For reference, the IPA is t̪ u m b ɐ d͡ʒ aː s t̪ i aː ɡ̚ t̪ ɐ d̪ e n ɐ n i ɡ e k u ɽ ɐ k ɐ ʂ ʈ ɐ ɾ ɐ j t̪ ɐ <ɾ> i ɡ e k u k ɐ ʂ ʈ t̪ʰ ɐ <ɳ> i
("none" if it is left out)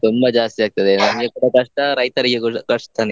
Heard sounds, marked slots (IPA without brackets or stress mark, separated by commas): ɾ, n